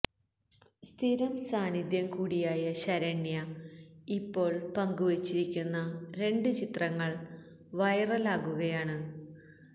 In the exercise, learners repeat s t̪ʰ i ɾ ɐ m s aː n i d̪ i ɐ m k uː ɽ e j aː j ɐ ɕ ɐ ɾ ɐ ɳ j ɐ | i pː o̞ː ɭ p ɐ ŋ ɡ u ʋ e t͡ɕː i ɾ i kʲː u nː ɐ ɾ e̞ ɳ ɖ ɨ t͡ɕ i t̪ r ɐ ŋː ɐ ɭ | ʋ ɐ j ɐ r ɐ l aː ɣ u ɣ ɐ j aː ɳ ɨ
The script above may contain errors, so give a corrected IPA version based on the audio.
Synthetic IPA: s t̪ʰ i ɾ ɐ m s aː n i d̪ j ɐ m k uː ɽ i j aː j ɐ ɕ ɐ ɾ ɐ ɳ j ɐ | i pː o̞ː ɭ p ɐ ŋ ɡ u ʋ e t͡ɕː i ɾ i kʲː u nː ɐ ɾ e̞ ɳ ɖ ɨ t͡ɕ i t̪ r ɐ ŋː ɐ ɭ | ʋ ɐ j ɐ r ɐ l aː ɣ u ɣ ɐ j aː ɳ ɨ

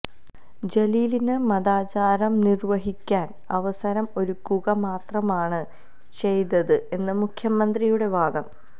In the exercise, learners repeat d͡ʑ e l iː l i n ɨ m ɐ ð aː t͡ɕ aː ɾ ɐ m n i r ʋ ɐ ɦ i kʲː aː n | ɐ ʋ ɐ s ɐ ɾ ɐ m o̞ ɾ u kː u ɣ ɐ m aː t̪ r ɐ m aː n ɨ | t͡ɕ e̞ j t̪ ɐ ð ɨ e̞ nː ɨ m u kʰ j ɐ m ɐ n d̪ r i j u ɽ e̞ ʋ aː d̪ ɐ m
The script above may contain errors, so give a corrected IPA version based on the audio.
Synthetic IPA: d͡ʑ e l iː l i n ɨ m ɐ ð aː t͡ɕ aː ɾ ɐ m n i r ʋ ɐ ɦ i kʲː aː n | ɐ ʋ ɐ s ɐ ɾ ɐ m o̞ ɾ u kː u ɣ ɐ m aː t̪ r ɐ m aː ɳ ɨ | t͡ɕ e̞ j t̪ ɐ ð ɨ e̞ nː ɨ m u kʰ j ɐ m ɐ n d̪ r i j u ɽ e̞ ʋ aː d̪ ɐ m

